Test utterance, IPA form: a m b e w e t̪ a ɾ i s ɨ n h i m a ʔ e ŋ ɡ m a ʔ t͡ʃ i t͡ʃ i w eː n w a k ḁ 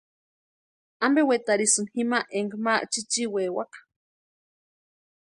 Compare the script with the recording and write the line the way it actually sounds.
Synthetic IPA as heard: a m b e w e t̪ a ɾ i s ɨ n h i m a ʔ e ŋ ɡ m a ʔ t͡ʃ i t͡ʃ i w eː w a k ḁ